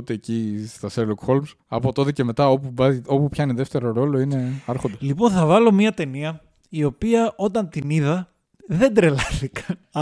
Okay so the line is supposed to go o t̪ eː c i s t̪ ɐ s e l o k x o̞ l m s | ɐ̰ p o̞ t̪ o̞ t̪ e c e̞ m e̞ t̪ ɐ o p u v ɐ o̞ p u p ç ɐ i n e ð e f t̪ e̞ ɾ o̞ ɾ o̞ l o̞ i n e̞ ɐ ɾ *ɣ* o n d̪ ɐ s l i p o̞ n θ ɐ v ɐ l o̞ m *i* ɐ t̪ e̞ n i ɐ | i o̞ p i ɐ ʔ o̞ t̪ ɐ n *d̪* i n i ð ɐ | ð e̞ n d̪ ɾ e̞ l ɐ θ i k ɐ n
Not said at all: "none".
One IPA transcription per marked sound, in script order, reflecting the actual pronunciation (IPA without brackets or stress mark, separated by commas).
x, i, t̪